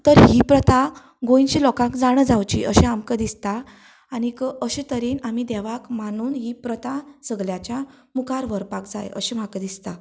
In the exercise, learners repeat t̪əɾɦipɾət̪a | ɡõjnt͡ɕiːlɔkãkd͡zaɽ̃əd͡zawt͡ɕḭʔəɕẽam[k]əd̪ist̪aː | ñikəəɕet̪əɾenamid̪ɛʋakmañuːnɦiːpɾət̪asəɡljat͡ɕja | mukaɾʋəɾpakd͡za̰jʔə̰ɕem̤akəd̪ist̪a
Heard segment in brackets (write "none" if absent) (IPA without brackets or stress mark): k